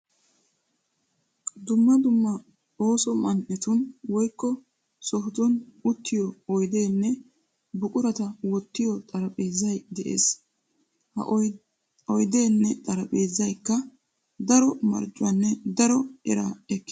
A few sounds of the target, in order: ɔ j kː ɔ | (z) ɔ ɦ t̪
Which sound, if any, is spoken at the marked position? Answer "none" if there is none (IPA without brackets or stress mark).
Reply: s